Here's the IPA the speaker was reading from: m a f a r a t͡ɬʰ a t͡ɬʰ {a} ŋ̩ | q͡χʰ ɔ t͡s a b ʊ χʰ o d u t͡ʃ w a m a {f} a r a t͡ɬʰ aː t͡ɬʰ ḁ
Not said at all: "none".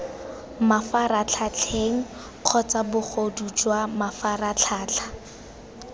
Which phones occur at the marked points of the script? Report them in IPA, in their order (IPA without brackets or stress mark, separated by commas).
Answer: e, f